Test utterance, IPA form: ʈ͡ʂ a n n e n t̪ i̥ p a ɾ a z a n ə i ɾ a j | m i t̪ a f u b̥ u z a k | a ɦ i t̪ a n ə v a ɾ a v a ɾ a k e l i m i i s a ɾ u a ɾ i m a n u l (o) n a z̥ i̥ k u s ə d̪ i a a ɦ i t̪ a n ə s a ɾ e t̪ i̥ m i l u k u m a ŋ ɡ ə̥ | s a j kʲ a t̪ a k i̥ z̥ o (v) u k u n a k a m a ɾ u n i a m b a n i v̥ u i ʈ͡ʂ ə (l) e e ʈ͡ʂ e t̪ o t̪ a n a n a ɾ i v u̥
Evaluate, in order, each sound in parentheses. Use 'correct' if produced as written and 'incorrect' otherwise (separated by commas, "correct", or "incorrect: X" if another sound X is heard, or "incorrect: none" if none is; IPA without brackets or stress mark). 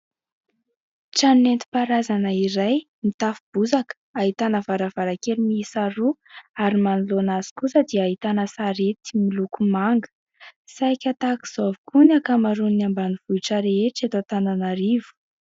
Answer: correct, correct, incorrect: ɾ